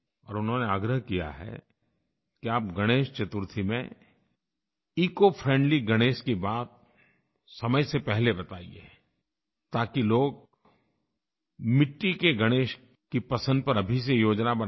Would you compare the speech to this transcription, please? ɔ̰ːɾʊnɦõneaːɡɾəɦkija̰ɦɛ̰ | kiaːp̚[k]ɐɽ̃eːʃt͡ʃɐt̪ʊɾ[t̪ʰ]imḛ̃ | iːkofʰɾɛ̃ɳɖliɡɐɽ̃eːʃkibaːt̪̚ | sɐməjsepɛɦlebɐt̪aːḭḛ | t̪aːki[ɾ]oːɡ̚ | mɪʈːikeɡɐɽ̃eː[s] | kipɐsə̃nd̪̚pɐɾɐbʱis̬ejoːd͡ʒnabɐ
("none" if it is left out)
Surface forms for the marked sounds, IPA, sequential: ɡ, t̪ʰ, l, ʃ

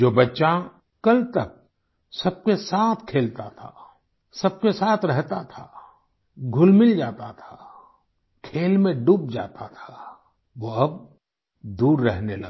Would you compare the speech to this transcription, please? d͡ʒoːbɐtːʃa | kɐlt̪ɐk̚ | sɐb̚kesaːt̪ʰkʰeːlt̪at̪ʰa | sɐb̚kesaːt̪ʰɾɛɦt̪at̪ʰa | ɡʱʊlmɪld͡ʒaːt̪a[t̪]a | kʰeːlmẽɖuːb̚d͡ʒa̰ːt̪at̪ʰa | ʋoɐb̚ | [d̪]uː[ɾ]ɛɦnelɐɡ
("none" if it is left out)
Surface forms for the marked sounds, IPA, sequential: t̪ʰ, d̪, ɾː

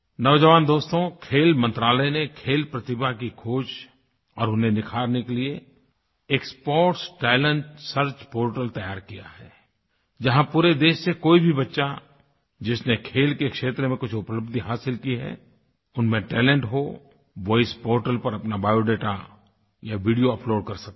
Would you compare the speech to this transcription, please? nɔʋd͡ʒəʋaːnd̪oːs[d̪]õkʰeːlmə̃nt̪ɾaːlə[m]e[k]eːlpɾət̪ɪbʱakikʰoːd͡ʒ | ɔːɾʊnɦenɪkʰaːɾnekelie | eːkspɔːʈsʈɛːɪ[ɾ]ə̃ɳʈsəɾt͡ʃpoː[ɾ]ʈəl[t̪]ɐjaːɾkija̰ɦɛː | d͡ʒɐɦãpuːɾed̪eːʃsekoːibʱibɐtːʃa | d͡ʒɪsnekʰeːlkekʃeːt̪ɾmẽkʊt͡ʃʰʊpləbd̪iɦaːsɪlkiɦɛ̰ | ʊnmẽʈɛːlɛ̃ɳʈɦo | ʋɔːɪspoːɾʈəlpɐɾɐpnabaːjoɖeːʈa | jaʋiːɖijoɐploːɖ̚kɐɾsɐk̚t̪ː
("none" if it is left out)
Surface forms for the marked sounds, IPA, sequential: t̪, n, kʰ, l, ɾ, t̪

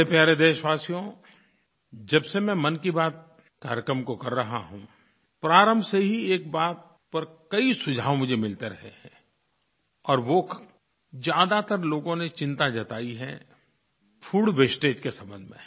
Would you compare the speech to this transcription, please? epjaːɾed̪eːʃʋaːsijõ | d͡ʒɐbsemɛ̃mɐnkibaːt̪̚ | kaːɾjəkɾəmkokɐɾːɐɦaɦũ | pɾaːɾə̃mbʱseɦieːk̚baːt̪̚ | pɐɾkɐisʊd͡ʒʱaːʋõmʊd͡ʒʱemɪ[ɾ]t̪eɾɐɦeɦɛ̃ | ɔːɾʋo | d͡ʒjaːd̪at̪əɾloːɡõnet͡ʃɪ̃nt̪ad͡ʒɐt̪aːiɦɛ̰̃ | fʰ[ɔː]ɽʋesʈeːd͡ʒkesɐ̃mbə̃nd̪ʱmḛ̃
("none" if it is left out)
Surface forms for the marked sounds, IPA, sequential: l, uː

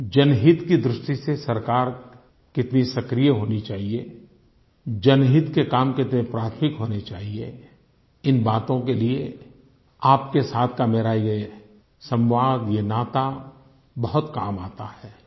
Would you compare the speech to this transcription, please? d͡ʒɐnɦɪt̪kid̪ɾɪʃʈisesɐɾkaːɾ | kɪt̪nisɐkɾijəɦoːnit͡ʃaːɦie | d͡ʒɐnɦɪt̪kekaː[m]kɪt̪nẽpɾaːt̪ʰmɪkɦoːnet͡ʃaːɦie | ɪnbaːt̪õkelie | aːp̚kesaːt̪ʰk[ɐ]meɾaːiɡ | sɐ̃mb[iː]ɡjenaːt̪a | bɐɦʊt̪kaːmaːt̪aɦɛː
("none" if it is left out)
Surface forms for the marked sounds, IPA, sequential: m, a, aː

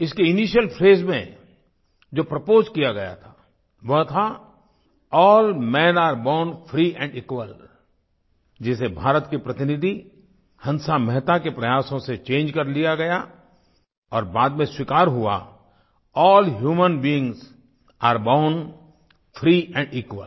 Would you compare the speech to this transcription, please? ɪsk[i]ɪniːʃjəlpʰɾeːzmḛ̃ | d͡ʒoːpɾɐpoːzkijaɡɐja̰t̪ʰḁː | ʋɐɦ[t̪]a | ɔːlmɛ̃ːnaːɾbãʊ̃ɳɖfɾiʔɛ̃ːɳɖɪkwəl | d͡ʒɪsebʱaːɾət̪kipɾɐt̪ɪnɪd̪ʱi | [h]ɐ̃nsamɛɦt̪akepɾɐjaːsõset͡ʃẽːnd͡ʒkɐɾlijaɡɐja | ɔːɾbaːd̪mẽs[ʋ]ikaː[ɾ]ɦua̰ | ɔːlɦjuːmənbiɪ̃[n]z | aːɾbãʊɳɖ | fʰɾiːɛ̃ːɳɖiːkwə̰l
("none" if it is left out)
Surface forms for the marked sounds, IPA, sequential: e, t̪ʰ, h, w, ɾ, ŋ

